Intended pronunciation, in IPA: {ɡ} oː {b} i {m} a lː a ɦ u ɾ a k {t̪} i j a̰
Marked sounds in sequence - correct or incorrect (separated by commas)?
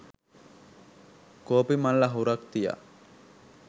incorrect, incorrect, correct, correct